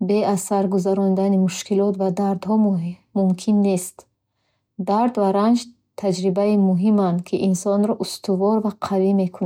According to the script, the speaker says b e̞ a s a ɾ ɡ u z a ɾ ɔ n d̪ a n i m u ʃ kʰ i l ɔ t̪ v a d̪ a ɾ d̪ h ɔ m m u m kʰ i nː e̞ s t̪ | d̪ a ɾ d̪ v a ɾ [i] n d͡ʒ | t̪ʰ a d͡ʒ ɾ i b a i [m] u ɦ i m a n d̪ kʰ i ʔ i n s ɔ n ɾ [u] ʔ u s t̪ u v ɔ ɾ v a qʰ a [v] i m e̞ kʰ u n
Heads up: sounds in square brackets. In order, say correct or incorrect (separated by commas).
incorrect, correct, incorrect, correct